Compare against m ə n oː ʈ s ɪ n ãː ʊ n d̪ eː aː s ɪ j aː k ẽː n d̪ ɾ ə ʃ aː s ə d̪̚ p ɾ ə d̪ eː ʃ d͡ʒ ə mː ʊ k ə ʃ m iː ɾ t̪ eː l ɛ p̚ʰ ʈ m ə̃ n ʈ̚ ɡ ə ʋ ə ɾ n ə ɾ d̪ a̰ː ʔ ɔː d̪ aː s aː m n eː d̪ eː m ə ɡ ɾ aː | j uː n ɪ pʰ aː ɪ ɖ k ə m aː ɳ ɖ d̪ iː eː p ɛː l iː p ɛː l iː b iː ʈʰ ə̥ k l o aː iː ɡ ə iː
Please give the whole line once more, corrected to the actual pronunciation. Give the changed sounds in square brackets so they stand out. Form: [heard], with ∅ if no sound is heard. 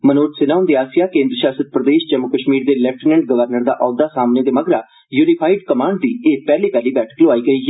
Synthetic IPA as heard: m ə n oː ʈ s ɪ n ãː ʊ n d̪ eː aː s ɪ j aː k ẽː n d̪ ɾ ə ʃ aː s ə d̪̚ p ɾ ə d̪ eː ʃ d͡ʒ ə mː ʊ k ə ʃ m iː ɾ [d̪] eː l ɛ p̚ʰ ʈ [n] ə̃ [ɳ] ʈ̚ ɡ ə ʋ ə ɾ n ə ɾ d̪ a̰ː ʔ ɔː d̪ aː s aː m n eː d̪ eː m ə ɡ ɾ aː | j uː n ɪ pʰ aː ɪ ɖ k ə m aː ɳ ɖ d̪ iː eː p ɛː l iː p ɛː l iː b [ɛː] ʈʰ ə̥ k l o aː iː ɡ ə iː